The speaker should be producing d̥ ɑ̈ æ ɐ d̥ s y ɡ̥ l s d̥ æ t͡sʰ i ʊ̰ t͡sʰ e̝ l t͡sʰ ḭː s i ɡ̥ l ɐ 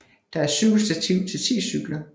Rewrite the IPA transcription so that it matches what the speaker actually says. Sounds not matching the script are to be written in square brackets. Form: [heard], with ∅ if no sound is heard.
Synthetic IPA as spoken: d̥ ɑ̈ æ ɐ [∅] s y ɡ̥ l s d̥ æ t͡sʰ i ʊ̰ t͡sʰ e̝ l t͡sʰ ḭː s [y] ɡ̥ l ɐ